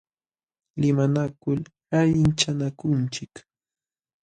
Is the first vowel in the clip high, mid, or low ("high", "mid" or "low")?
high